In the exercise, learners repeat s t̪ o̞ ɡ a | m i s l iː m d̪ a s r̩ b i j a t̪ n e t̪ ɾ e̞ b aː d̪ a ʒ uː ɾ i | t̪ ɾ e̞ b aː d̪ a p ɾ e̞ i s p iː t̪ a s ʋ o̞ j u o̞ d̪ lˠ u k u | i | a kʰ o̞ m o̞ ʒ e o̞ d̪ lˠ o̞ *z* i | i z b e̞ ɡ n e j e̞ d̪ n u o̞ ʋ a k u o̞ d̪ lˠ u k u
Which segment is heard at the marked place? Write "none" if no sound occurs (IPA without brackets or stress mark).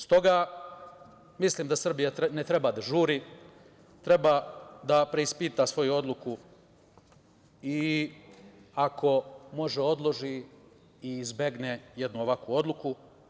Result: ʒ